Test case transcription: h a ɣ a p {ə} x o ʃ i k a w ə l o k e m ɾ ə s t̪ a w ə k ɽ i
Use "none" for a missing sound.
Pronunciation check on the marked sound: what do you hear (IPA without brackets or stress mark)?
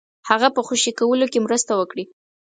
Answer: ə